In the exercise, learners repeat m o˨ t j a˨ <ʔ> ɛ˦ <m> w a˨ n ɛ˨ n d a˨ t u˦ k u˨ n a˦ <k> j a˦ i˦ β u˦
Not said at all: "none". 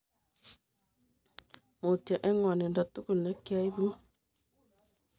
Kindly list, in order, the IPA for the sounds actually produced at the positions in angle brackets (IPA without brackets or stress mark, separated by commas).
ʔ, ŋ, k